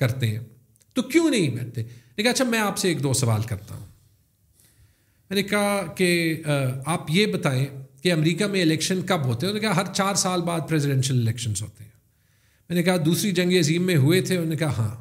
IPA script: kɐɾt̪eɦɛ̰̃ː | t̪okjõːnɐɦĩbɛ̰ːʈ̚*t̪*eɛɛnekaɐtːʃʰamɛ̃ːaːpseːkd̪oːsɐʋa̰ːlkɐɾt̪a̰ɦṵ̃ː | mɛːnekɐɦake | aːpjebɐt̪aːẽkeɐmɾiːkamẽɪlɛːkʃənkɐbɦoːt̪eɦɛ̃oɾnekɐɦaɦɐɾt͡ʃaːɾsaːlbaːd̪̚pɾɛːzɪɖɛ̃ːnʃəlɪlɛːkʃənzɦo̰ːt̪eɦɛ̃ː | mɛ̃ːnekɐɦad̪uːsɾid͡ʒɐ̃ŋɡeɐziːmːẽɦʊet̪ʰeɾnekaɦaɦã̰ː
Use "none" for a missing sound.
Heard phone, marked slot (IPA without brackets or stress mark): t̪